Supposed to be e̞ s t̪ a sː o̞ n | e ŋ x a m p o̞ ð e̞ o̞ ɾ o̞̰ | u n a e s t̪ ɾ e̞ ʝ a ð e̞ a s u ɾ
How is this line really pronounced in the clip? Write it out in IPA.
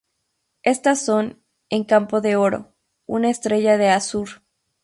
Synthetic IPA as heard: e̞ s t̪ a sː o̞ n | e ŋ k a m p o̞ ð e̞ o̞ ɾ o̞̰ | u n a e s t̪ ɾ e̞ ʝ a ð e̞ a s u ɾ